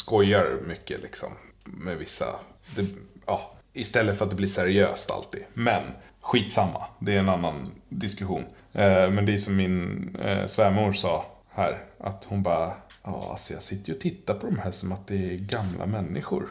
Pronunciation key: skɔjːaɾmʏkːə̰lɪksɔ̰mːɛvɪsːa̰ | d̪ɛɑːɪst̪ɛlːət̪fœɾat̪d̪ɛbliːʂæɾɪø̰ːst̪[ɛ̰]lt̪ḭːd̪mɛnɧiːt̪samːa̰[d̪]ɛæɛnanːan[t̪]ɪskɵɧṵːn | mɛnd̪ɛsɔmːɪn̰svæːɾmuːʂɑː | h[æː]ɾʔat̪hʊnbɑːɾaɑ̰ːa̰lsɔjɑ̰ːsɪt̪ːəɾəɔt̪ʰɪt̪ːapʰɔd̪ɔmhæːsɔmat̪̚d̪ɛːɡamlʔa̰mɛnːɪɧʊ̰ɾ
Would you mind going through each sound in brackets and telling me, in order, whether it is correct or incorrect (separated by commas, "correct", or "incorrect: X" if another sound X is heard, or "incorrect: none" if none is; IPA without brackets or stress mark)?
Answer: incorrect: a̰, correct, incorrect: d̪, correct